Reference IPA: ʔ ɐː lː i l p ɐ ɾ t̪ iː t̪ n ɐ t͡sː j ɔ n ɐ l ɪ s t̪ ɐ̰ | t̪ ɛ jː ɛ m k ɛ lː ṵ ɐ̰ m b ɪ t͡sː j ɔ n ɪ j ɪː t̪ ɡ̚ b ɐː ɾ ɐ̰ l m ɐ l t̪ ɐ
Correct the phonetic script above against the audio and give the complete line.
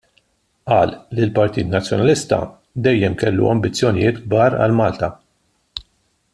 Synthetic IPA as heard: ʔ ɐː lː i l p ɐ ɾ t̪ iː t̪ n ɐ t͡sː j ɔ n ɐ l ɪ s t̪ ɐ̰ | d̪ ɛ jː ɛ m k ɛ lː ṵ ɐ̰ m b ɪ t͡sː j ɔ n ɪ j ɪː t̪ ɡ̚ b ɐː ɾ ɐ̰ l m ɐː l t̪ ɐ